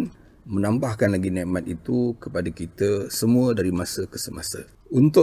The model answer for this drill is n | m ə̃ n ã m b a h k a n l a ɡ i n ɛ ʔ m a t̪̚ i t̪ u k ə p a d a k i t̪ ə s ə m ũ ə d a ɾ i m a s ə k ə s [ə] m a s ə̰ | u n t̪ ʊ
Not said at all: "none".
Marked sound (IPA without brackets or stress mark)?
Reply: ə